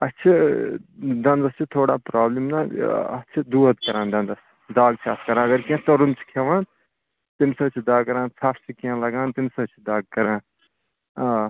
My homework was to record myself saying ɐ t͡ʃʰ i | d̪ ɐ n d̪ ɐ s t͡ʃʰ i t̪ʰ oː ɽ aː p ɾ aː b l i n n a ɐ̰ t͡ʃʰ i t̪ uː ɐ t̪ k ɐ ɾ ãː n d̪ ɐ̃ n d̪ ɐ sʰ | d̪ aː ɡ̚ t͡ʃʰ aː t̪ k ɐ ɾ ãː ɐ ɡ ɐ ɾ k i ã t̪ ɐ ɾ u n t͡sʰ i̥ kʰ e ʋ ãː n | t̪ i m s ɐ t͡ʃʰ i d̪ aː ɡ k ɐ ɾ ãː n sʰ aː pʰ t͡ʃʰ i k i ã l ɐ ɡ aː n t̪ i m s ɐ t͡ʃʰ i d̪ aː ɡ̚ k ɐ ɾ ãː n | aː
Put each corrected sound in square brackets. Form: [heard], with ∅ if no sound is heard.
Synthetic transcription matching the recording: ɐ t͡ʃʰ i | d̪ ɐ n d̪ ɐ s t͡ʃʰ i t̪ʰ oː ɽ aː p ɾ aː b l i [m] n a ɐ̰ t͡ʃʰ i [d̪] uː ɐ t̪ k ɐ ɾ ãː n d̪ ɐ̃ n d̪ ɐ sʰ | d̪ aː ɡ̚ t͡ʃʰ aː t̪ k ɐ ɾ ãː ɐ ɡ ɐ ɾ k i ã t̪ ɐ ɾ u n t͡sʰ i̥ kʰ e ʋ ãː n | t̪ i m s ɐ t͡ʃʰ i d̪ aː ɡ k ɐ ɾ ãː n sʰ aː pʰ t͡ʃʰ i k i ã l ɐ ɡ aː n t̪ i m s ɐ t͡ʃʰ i d̪ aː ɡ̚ k ɐ ɾ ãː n | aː

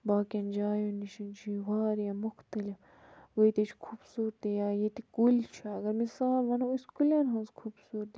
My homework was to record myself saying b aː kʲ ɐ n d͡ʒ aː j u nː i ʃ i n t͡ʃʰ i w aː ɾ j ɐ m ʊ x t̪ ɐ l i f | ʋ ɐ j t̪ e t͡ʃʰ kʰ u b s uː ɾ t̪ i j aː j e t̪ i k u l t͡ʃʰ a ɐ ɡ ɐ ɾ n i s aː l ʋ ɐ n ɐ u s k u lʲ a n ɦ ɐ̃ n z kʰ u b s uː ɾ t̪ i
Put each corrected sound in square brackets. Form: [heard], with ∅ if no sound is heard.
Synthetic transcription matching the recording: b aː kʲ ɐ n d͡ʒ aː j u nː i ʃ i n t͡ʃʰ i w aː ɾ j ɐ m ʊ x t̪ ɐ l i f | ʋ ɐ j t̪ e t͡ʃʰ kʰ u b s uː ɾ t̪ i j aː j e t̪ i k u l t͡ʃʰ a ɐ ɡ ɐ ɾ [m] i s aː l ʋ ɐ n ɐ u s k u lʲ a n ɦ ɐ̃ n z kʰ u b s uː ɾ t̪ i

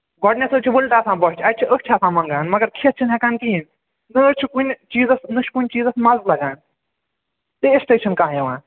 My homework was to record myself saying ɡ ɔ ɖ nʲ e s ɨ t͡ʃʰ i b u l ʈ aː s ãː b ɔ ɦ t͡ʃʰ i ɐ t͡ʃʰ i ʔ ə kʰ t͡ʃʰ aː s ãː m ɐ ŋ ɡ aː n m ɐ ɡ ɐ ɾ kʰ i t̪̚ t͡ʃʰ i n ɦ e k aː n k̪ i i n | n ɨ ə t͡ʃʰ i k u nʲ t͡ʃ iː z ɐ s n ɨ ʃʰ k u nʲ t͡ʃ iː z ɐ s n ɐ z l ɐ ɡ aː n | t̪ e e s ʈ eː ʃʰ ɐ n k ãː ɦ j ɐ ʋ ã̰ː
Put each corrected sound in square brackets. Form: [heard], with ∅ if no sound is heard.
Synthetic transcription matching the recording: ɡ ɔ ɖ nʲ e s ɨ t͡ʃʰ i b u l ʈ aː s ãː b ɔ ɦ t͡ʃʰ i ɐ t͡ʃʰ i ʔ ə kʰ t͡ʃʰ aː s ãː m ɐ ŋ ɡ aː n m ɐ ɡ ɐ ɾ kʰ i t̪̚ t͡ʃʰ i n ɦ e k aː n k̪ i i n | n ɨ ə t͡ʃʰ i k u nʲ t͡ʃ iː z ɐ s n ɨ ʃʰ k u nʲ t͡ʃ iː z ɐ s [m] ɐ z l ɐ ɡ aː n | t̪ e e s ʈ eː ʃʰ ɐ n k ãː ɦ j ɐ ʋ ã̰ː

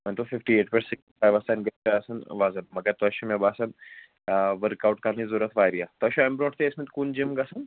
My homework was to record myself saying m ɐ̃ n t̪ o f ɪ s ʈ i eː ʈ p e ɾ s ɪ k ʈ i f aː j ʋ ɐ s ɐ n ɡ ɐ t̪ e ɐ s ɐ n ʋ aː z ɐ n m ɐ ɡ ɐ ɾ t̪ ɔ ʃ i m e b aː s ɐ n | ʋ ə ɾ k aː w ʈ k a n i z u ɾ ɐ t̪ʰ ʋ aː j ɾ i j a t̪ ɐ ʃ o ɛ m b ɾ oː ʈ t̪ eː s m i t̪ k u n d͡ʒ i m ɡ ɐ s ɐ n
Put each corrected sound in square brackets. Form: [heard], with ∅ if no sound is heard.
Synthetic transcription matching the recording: m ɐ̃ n t̪ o f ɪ [f] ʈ i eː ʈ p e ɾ s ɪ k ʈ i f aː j ʋ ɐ s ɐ n ɡ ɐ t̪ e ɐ s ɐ n ʋ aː z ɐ n m ɐ ɡ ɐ ɾ t̪ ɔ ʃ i m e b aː s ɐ n | ʋ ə ɾ k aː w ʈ k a n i z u ɾ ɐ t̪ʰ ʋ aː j ɾ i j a t̪ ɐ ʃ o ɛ m b ɾ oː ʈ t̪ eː s m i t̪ k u n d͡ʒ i m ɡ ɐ s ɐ n

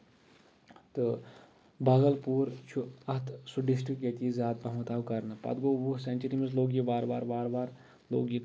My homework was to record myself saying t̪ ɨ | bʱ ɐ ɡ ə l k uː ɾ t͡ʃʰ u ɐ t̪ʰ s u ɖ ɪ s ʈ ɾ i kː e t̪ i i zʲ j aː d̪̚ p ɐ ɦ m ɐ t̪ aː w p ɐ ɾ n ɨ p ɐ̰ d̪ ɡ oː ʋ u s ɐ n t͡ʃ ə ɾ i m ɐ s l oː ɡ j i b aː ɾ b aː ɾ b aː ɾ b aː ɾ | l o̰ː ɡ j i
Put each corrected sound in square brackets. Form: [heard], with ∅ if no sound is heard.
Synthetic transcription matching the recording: t̪ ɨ | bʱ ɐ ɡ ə l [p] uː ɾ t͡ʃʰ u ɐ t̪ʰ s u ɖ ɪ s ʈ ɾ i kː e t̪ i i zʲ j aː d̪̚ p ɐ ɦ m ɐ t̪ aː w [k] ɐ ɾ n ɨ p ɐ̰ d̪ ɡ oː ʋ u s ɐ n t͡ʃ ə ɾ i m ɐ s l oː ɡ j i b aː ɾ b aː ɾ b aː ɾ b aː ɾ | l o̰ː ɡ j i

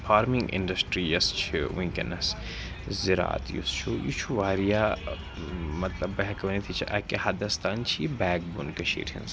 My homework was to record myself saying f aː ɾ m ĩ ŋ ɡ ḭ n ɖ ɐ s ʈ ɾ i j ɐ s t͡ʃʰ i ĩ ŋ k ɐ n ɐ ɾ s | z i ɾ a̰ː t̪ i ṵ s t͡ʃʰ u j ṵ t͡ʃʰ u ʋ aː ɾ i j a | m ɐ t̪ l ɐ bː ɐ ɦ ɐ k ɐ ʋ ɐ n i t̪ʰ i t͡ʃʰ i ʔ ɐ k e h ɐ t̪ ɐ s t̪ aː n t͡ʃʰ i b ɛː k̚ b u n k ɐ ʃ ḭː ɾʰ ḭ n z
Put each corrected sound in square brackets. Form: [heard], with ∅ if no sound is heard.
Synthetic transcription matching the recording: f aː ɾ m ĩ ŋ ɡ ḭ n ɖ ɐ s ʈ ɾ i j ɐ s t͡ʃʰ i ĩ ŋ k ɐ n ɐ [∅] s | z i ɾ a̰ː t̪ [j] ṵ s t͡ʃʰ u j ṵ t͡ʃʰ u ʋ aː ɾ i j a | m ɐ t̪ l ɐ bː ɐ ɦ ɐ k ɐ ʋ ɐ n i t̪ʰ i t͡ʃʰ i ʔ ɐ k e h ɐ [d̪] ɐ s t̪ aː n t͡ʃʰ i b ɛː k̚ b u n k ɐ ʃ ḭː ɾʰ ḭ n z

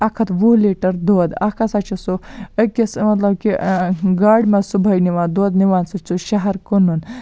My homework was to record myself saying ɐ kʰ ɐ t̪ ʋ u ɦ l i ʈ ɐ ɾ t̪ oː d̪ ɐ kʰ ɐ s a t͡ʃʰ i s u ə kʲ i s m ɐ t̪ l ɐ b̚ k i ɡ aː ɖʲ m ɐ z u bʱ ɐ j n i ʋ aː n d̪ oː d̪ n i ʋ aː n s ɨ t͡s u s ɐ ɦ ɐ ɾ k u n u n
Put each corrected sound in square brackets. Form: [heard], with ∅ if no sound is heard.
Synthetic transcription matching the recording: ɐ kʰ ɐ t̪ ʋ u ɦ l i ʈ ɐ ɾ [d̪] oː d̪ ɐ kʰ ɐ s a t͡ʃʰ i s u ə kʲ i s m ɐ t̪ l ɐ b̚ k i ɡ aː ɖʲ m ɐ [s] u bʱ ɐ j n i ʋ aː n d̪ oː d̪ n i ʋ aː n s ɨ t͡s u [ʃ] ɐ ɦ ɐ ɾ k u n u n

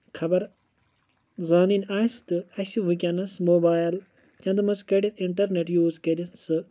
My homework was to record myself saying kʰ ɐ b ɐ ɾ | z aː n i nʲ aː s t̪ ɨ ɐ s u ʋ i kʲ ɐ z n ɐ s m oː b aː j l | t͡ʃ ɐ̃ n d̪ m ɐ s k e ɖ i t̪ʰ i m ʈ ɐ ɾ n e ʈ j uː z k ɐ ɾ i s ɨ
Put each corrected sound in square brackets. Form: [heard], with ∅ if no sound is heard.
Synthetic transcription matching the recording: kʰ ɐ b ɐ ɾ | z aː n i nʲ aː s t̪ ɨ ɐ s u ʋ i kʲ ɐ [∅] n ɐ s m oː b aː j l | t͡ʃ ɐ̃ n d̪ m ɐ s k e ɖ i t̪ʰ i [ɳ] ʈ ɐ ɾ n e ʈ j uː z k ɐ ɾ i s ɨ

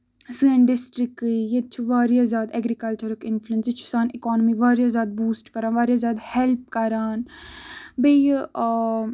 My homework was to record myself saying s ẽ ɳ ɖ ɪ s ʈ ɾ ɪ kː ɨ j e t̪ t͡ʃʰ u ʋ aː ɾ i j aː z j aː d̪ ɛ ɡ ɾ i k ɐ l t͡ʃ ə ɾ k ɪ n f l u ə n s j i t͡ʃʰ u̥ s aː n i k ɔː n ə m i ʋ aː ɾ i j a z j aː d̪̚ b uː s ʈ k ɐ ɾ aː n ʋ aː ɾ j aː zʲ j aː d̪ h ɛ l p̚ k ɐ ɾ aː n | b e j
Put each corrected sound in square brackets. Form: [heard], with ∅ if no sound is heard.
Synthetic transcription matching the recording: s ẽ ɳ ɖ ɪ s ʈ ɾ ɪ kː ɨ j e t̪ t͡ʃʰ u ʋ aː ɾ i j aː z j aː d̪ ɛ ɡ ɾ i k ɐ l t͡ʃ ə ɾ k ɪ n f l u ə n s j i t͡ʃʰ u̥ s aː n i k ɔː n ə m i ʋ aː ɾ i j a z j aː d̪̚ b uː s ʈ k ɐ ɾ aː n ʋ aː ɾ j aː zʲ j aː d̪ h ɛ l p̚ k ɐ ɾ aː n | b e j

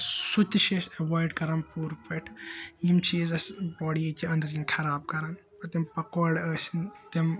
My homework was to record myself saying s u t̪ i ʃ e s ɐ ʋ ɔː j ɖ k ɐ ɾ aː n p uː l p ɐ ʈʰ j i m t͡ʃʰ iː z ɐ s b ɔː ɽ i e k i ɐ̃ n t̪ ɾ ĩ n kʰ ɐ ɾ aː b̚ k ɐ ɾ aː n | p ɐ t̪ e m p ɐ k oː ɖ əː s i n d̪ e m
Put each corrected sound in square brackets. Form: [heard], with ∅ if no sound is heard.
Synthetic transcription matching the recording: s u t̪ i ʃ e s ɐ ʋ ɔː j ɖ k ɐ ɾ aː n p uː [ɾ] p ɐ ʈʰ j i m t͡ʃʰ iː z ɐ s b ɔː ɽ i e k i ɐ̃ n [d̪] ɾ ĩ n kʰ ɐ ɾ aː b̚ k ɐ ɾ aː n | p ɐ t̪ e m p ɐ k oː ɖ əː s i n [t̪] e m

